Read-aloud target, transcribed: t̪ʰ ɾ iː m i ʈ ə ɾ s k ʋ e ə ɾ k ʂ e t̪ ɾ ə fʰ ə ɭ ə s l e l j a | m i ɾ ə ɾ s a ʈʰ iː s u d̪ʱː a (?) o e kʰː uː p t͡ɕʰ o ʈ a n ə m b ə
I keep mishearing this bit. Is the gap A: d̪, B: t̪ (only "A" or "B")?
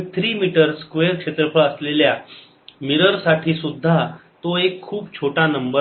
B